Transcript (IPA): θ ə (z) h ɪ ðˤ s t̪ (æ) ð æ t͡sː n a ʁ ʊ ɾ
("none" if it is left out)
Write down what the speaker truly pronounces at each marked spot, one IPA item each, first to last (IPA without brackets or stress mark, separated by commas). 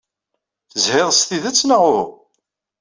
z, i